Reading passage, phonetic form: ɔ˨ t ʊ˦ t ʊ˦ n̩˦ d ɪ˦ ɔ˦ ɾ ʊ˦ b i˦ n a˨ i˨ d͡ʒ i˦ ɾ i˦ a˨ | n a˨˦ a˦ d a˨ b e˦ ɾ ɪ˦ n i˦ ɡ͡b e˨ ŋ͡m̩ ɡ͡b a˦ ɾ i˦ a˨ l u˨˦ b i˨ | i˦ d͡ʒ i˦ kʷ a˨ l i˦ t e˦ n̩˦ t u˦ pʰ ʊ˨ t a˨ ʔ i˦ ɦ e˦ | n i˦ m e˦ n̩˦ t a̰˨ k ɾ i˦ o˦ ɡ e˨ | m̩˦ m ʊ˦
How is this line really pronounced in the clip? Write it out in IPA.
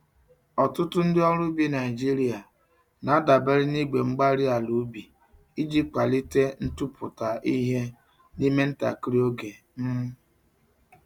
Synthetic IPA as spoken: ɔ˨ t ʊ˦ t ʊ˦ n̩˦ d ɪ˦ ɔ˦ ɾ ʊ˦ b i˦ n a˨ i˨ d͡ʒ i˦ ɾ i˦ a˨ | n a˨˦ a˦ d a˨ b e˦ ɾ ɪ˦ n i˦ ɡ͡b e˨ ŋ͡m̩ ɡ͡b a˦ ɾ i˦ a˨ l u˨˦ b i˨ | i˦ d͡ʒ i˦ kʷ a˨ l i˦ t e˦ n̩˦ t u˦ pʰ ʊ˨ t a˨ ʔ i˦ ɦ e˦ | n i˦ m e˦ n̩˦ t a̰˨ k ɾ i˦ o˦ ɡ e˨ | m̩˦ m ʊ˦